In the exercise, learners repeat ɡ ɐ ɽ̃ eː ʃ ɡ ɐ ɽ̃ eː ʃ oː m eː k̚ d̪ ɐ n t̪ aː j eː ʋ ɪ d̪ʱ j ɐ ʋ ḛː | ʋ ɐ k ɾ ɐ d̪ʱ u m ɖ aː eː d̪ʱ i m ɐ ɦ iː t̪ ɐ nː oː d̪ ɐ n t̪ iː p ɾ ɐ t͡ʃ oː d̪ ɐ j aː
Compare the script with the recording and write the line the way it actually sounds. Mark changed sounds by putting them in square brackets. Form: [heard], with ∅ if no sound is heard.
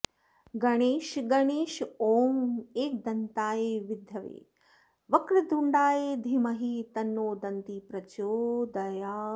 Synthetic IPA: ɡ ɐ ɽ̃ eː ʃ ɡ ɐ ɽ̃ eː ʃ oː m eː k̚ d̪ ɐ n t̪ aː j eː ʋ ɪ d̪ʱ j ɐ ʋ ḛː | ʋ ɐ k ɾ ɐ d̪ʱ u [ɳ] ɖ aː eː d̪ʱ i m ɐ ɦ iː t̪ ɐ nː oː d̪ ɐ n t̪ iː p ɾ ɐ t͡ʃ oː d̪ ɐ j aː